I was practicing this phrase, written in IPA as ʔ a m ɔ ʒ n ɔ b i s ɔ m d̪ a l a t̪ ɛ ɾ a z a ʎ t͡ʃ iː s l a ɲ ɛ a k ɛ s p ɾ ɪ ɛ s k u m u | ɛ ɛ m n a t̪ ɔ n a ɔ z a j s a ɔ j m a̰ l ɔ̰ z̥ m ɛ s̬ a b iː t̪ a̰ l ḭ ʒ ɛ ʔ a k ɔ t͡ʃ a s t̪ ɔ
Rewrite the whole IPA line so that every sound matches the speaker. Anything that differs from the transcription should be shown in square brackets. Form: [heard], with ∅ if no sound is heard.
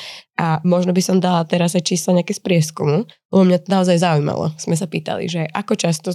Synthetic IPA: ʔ a m ɔ ʒ n ɔ b i s ɔ m d̪ a l a t̪ ɛ ɾ a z a [j] t͡ʃ iː s l a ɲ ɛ a k ɛ s p ɾ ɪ ɛ s k u m u | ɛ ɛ m [ɲ] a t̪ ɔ n a ɔ z a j [z] a [u] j m a̰ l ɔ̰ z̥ m ɛ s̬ a [p] iː t̪ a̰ l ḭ ʒ ɛ ʔ a k ɔ t͡ʃ a s t̪ ɔ